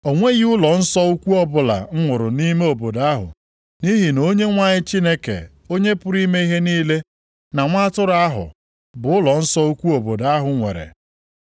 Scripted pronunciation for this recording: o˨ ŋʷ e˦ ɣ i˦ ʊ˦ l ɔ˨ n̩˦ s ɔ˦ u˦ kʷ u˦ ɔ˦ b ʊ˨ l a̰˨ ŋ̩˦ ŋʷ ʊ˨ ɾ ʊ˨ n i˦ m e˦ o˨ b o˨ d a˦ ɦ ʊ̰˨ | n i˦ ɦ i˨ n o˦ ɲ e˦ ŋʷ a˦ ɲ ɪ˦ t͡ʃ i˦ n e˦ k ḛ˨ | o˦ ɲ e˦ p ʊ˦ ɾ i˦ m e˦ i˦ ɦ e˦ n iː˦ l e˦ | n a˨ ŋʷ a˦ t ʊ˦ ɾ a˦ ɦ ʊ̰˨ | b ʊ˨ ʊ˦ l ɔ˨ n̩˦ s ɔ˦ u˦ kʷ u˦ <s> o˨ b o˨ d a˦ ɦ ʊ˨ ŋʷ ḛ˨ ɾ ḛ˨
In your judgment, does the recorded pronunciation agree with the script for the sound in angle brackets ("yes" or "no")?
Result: no